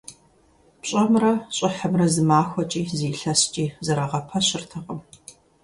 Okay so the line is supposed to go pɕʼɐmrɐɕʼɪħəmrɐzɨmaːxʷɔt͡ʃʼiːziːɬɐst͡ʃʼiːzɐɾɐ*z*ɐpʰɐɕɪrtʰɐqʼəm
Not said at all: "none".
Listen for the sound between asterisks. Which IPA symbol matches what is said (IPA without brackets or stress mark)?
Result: ʁ